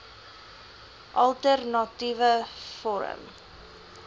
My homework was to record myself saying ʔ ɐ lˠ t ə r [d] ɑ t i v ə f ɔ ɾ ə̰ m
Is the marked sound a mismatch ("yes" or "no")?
yes